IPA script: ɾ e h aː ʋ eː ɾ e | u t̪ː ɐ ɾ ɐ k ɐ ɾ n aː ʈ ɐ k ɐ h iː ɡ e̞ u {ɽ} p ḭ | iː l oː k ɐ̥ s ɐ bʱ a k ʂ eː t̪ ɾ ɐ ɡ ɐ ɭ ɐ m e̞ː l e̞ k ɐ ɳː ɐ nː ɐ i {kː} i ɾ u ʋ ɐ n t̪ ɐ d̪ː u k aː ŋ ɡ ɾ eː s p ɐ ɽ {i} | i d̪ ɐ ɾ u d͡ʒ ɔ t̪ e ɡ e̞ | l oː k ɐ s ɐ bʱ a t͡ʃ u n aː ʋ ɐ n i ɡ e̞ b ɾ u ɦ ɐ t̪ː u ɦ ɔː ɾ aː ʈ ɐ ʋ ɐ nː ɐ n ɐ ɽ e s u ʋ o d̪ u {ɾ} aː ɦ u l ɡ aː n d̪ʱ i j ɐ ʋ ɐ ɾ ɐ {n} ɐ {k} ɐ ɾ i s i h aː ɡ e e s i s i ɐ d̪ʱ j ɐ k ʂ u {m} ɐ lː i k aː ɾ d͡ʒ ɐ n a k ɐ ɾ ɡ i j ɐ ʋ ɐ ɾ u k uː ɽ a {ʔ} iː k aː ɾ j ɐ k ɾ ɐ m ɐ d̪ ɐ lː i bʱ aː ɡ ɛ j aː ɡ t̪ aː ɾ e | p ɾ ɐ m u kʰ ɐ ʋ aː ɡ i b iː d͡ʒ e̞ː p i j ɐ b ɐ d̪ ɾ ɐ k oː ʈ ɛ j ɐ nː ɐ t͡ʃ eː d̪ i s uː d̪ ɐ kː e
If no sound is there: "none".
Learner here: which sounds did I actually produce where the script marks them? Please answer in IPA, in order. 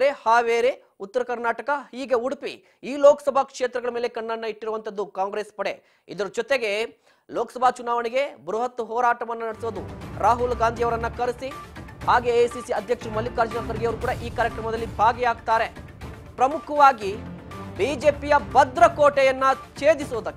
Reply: ɽ, ʈː, e, ɾ, nː, k, m, ʔ

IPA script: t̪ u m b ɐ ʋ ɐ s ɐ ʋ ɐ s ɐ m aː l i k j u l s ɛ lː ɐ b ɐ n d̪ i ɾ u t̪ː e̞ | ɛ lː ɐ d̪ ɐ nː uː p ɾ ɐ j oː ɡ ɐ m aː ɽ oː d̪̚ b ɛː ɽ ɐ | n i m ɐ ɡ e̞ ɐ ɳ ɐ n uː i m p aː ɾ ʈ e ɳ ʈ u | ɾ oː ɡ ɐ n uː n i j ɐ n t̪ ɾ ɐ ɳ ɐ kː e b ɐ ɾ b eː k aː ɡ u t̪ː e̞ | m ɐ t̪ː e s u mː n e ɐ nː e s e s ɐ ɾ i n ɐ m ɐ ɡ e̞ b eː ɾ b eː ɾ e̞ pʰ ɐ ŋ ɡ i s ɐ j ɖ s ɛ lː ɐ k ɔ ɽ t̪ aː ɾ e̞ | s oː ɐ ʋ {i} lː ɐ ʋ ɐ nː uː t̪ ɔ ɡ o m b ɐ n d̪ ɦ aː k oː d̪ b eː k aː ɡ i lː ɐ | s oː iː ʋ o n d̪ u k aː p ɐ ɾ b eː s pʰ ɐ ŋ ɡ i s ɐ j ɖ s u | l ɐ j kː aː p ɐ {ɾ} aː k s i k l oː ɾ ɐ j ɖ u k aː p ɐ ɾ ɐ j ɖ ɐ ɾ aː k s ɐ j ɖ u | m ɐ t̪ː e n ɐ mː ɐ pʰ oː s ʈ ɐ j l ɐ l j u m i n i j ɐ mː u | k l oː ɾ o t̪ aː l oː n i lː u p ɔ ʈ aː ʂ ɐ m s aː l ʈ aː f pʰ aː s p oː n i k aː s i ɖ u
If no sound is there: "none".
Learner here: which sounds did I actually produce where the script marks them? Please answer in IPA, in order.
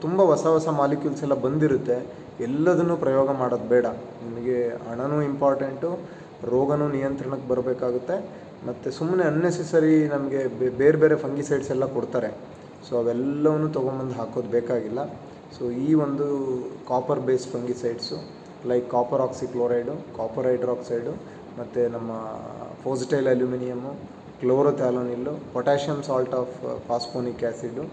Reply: ɛ, ɾ

